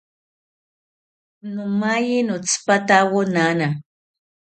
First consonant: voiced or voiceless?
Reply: voiced